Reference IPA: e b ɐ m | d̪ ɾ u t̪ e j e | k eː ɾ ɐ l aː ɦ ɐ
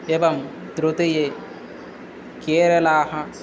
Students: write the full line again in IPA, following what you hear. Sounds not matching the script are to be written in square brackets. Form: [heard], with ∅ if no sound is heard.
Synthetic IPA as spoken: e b ɐ m | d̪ ɾ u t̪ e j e | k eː ɾ ɐ l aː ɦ ɐ